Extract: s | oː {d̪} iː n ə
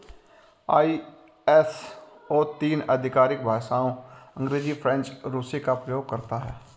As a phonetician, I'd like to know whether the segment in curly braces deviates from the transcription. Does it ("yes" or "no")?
yes